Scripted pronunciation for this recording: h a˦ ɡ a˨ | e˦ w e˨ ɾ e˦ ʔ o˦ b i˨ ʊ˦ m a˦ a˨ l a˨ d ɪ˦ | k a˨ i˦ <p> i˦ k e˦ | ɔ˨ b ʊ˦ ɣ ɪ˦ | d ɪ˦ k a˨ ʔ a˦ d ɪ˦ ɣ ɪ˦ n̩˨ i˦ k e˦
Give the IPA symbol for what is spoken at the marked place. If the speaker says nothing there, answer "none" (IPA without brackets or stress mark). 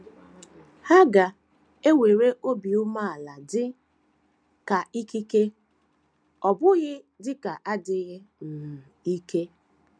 k